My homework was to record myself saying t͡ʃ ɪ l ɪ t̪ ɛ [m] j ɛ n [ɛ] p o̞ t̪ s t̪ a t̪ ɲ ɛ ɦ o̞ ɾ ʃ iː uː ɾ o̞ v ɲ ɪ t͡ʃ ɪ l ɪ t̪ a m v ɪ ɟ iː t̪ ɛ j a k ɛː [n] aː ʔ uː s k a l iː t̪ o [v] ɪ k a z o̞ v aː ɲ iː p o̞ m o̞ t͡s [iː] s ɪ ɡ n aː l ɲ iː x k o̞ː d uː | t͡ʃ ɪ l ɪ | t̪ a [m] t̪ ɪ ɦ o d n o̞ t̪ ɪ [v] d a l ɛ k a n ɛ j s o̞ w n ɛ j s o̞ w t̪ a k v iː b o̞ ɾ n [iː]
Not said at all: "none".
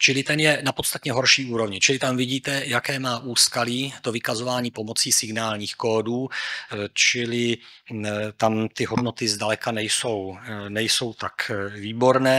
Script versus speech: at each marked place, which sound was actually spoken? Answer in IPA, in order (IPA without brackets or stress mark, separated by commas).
n, a, m, v, iː, m, z, ɛː